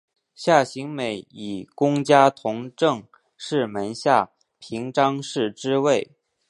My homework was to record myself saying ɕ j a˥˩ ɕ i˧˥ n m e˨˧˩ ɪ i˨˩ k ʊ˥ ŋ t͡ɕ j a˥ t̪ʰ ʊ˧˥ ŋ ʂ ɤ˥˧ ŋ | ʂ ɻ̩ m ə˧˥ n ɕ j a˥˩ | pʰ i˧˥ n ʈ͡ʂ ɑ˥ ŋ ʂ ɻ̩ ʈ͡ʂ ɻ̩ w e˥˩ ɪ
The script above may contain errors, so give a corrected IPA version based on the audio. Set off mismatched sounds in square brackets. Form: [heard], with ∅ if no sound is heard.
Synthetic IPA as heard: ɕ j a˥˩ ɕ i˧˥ [ŋ] m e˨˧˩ ɪ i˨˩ k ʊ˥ ŋ t͡ɕ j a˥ t̪ʰ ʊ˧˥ ŋ [ʈ͡ʂ] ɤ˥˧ ŋ | ʂ ɻ̩ m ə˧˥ n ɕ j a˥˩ | pʰ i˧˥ [ŋ] ʈ͡ʂ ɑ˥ ŋ ʂ ɻ̩ ʈ͡ʂ ɻ̩ w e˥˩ ɪ